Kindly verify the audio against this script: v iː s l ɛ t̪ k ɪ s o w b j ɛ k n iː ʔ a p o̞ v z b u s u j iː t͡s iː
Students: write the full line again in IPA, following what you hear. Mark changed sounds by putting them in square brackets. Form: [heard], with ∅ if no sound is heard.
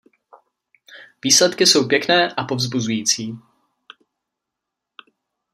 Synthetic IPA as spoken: v iː s l ɛ t̪ k ɪ s o w [p] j ɛ k n [ɛː] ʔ a p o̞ v z b u [z] u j iː t͡s iː